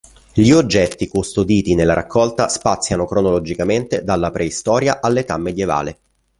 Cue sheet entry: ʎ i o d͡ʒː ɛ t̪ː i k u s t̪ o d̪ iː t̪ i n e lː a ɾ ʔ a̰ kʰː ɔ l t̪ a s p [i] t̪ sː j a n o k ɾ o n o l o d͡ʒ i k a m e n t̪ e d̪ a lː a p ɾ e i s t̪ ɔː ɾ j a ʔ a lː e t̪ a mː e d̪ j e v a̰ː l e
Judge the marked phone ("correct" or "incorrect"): incorrect